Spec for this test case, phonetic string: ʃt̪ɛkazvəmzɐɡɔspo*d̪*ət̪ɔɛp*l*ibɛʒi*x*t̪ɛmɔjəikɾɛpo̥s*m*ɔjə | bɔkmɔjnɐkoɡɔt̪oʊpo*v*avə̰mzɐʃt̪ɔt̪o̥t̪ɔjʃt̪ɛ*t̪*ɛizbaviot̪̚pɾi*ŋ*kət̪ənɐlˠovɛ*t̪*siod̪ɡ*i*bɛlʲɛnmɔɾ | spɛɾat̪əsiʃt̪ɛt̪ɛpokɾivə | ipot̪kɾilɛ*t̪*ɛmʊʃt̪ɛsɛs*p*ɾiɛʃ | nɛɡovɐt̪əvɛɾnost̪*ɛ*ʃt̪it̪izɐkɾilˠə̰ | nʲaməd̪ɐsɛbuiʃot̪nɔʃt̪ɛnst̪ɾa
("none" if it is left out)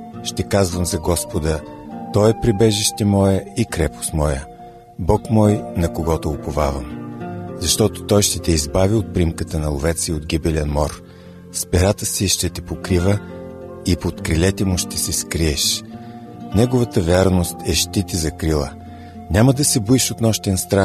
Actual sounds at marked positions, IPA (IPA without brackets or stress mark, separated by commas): d̪, ɾ, ʃ, m, v, t̪, m, t̪, i, t̪, k, ɛ